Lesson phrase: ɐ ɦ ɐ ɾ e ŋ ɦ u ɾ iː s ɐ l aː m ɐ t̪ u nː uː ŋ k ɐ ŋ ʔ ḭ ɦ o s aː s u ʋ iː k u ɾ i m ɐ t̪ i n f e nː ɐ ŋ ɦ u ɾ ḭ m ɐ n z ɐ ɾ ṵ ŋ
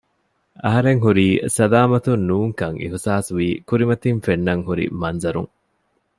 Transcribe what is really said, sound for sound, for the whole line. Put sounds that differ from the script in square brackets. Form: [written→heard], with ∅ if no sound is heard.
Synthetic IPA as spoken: ɐ ɦ ɐ ɾ e ŋ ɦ u ɾ iː s ɐ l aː m ɐ t̪ u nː uː ŋ k ɐ ŋ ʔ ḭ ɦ [o→u] s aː s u ʋ iː k u ɾ i m ɐ t̪ i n f e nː ɐ ŋ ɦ u ɾ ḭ m ɐ n z ɐ ɾ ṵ ŋ